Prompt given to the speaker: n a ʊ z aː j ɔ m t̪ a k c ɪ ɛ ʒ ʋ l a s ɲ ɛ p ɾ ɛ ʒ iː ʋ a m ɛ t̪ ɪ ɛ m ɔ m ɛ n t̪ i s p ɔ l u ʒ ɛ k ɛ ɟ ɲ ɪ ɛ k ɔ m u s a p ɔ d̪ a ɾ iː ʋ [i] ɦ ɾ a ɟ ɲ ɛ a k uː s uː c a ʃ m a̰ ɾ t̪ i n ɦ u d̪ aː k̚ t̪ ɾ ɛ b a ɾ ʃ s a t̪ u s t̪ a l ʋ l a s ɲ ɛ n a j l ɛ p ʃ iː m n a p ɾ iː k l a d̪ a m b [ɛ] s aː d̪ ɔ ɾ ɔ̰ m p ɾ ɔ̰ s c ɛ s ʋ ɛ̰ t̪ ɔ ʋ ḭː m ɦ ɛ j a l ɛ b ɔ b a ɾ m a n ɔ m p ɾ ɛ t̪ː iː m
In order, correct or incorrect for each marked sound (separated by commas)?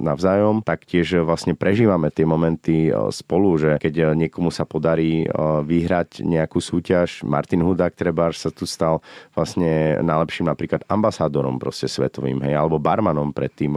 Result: correct, incorrect